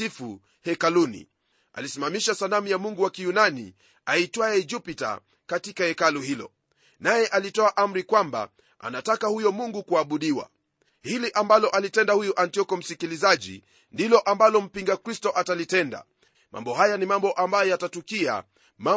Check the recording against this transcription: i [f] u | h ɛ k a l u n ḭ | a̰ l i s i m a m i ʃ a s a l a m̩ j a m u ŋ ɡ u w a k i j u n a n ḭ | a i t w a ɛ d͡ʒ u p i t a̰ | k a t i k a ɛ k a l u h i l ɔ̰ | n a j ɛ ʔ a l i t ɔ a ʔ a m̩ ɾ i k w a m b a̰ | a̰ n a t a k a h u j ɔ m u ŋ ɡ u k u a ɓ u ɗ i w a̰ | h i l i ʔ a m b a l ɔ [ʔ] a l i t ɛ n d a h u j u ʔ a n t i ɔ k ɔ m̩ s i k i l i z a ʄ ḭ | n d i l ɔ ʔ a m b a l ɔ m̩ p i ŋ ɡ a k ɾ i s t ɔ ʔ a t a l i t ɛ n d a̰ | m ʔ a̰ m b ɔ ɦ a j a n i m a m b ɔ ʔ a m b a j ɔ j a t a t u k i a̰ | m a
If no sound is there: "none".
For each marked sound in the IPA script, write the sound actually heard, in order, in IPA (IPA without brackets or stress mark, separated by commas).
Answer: f, ʔ